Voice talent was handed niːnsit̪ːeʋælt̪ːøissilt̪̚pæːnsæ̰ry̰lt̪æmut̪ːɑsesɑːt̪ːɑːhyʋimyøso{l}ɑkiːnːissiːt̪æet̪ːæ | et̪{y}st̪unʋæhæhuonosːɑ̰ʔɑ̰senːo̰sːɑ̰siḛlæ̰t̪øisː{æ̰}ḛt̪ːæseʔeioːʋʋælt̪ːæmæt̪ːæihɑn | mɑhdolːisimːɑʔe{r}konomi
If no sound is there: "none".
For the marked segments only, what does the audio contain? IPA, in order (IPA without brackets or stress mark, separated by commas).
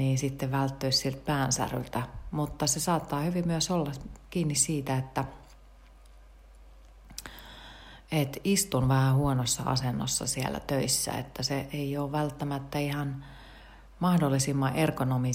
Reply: lː, i, æ̰, r